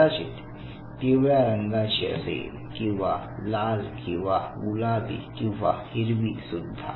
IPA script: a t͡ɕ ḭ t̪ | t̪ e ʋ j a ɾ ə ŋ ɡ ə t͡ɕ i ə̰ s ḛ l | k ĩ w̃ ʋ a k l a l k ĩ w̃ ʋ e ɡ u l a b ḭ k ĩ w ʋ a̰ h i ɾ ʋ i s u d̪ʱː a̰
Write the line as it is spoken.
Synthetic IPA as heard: a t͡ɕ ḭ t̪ | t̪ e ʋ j a ɾ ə ŋ ɡ a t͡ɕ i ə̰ s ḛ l | k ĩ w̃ ʋ a l a l k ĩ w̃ ʋ a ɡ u l a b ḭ k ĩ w ʋ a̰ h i ɾ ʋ i s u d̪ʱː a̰